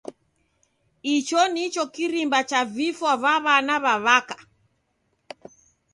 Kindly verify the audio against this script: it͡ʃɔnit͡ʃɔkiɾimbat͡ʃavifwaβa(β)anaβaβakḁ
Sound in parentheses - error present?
no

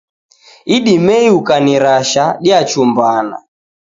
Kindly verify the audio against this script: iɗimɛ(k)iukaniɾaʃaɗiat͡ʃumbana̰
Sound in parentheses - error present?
yes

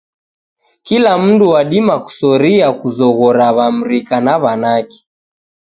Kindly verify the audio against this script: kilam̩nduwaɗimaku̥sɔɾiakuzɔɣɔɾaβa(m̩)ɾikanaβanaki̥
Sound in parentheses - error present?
no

